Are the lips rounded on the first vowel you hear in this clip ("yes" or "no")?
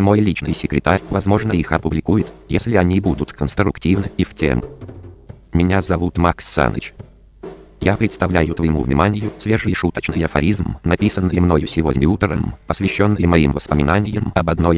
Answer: yes